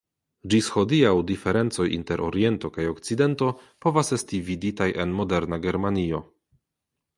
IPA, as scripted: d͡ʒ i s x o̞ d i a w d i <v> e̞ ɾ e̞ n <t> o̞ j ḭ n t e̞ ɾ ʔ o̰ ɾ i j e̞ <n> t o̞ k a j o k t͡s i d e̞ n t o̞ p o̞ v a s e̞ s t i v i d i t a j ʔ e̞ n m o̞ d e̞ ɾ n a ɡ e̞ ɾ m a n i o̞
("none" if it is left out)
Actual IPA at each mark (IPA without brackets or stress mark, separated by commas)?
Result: f, t͡s, n